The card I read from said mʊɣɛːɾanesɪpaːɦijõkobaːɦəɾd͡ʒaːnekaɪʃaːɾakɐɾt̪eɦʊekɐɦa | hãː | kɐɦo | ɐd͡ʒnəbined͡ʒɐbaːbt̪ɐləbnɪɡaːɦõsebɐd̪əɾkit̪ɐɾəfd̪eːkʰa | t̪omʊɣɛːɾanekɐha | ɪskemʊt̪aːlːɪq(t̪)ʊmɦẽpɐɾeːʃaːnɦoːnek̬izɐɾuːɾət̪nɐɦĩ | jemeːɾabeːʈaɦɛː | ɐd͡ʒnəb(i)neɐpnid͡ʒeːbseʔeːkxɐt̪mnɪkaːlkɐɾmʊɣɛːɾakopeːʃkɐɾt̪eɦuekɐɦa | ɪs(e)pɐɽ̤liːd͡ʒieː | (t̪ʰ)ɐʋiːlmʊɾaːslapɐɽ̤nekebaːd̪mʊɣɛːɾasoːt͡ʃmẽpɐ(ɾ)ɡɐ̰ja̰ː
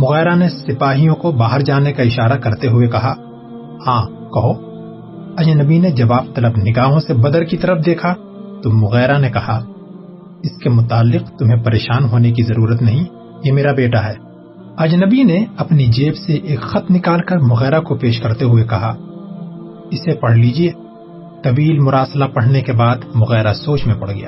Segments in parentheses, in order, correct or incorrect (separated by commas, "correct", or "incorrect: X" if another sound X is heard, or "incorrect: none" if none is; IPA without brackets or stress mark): correct, correct, correct, incorrect: t̪, incorrect: ɽ